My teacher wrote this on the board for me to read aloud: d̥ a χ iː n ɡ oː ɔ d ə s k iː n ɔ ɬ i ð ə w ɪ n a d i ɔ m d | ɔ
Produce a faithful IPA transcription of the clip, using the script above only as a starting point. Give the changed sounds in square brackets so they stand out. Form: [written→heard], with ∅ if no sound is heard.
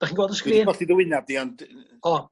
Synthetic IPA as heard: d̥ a χ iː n ɡ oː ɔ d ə s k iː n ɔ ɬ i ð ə w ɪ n a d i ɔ [m→n] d | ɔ

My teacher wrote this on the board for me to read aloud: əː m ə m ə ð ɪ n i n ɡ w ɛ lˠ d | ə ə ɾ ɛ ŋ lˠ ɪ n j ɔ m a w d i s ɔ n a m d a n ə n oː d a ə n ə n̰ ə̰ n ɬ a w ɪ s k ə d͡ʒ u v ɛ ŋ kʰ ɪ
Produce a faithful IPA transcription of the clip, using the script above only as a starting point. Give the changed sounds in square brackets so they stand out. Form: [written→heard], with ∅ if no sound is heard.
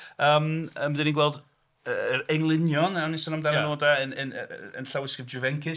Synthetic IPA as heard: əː m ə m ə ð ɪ n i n ɡ w ɛ lˠ d | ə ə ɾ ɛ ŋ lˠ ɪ n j ɔ [m→n] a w [d→n] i s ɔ n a m d a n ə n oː d a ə n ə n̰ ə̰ n ɬ a w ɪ s k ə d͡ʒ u v ɛ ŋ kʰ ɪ

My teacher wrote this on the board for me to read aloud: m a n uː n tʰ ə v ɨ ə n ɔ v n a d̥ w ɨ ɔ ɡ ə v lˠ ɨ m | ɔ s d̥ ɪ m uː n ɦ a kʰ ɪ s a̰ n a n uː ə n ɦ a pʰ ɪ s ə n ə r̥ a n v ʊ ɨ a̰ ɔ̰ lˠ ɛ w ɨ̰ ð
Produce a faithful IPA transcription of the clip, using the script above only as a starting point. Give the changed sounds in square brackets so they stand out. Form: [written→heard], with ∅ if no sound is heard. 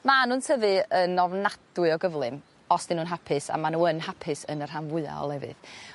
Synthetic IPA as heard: m a n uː n tʰ ə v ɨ ə n ɔ v n a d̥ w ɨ ɔ ɡ ə v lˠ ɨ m | ɔ s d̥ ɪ [m→n] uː n ɦ a [kʰ→pʰ] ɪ s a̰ [n→m] a n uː ə n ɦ a pʰ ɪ s ə n ə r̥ a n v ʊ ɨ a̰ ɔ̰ lˠ ɛ [w→v] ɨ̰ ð

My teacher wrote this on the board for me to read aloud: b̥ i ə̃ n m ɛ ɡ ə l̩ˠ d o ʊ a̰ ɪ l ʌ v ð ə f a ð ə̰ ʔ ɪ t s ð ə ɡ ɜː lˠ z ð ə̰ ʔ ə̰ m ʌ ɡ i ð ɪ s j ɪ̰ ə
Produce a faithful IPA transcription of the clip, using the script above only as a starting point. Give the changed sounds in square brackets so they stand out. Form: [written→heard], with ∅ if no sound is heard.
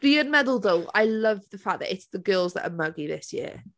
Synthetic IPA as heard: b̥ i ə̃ n m ɛ [ɡ→d] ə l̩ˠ d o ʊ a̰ ɪ l ʌ v ð ə f a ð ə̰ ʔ ɪ t s ð ə ɡ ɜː lˠ z ð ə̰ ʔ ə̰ m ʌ ɡ i ð ɪ s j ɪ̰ ə

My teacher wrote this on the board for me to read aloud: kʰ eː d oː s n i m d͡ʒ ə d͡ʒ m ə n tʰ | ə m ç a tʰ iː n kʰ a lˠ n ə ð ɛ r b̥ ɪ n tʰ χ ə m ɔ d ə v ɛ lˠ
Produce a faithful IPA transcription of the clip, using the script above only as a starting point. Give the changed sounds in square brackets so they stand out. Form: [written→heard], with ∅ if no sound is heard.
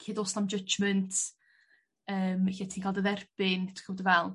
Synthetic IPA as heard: kʰ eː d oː s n [i→a] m d͡ʒ ə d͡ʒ m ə n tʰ | [ə→əː] m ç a tʰ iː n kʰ a lˠ [n→d] ə ð ɛ r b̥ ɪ n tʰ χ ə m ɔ d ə v ɛ lˠ

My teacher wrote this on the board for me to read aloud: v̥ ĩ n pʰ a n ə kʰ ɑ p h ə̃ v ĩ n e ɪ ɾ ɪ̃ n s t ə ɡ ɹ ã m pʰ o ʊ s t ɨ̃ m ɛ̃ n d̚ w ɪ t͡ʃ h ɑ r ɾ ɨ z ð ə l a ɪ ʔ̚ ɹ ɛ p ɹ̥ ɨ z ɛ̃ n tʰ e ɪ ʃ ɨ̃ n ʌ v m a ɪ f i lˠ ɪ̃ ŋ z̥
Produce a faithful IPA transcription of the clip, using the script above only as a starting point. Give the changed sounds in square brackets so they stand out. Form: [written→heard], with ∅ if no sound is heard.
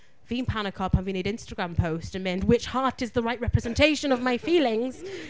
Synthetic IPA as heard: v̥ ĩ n pʰ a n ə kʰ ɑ p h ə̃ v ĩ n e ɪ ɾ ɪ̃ n s t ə ɡ ɹ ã m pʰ o ʊ s t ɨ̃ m ɛ̃ n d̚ w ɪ t͡ʃ h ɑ [r→ɹ] ɾ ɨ z ð ə [l→ɹ] a ɪ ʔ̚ ɹ ɛ p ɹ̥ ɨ z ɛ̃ n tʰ e ɪ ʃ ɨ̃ n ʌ v m a ɪ f i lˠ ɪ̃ ŋ z̥

